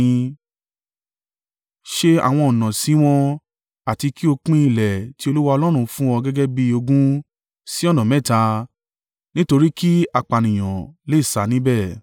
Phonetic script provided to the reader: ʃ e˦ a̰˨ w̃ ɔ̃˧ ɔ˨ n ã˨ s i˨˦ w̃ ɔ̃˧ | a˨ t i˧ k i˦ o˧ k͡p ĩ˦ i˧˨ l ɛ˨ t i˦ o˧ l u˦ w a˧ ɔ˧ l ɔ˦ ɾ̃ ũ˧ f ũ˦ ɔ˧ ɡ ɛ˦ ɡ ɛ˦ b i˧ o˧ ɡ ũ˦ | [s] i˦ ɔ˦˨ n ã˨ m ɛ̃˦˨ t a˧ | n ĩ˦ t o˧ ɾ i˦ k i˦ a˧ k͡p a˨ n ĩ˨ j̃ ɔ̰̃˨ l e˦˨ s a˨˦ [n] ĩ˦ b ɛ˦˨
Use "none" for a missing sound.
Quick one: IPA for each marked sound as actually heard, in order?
s, n

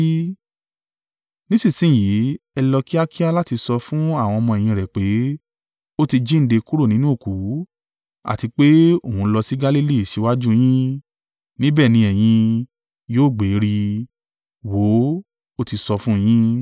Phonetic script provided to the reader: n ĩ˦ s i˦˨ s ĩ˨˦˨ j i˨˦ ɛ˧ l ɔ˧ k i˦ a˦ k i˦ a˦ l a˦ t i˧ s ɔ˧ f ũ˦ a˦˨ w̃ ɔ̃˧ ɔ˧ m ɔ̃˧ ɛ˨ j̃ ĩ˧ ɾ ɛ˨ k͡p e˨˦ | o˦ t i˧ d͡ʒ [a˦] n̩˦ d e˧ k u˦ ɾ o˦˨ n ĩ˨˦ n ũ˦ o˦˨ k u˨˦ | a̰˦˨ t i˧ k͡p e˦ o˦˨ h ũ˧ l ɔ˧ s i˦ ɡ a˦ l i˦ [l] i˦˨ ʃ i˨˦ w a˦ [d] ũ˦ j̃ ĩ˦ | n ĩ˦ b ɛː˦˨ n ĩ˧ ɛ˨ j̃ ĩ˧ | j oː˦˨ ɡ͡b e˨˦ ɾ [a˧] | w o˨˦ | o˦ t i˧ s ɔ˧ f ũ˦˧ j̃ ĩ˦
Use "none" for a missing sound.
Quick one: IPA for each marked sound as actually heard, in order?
i˦, l, d͡ʒ, i˧

